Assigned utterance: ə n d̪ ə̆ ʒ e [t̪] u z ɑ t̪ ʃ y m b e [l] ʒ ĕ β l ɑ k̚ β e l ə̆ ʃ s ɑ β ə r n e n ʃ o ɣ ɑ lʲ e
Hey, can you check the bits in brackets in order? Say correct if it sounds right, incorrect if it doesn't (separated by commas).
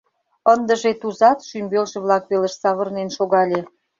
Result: correct, correct